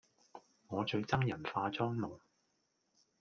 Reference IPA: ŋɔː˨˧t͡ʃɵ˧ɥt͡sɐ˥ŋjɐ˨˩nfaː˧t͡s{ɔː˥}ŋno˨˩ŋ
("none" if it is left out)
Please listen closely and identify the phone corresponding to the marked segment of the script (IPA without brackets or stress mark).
ɔː˥